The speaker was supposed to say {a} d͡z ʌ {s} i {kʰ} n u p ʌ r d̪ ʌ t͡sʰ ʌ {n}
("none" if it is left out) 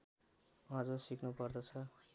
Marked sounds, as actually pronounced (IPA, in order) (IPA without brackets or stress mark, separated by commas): ʌ, s, k, none